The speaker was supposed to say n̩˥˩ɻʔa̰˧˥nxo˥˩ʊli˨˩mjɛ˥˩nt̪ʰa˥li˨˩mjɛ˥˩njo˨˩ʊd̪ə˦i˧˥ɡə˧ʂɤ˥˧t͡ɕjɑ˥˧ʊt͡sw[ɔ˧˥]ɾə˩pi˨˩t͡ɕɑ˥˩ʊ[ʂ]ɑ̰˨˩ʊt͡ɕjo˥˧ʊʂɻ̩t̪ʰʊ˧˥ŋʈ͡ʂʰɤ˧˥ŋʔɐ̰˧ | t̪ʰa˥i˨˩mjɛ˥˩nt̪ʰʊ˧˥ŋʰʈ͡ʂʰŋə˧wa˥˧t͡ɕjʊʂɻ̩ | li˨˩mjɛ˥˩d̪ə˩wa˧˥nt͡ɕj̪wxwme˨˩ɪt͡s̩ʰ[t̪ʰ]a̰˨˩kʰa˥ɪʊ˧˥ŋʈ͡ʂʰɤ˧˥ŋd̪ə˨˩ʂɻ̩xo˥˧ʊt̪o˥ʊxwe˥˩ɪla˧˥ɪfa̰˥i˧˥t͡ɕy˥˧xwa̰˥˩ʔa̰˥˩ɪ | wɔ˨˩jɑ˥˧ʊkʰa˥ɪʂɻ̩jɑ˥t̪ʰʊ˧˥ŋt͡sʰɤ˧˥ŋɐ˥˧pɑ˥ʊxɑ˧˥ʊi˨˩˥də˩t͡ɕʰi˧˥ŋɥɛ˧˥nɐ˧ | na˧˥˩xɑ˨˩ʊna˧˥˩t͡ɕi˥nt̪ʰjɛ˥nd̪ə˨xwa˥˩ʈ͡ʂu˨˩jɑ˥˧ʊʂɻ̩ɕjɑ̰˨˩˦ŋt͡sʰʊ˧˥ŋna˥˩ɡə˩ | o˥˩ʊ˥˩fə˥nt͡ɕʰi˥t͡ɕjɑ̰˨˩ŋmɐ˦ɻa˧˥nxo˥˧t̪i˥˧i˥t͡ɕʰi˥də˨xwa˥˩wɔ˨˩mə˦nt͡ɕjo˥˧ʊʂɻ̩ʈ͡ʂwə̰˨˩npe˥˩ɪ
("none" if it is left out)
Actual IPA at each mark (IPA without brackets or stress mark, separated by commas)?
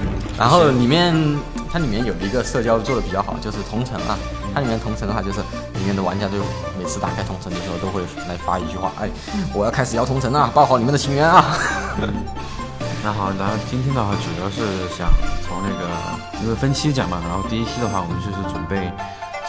ɔ˥˩, x, t̪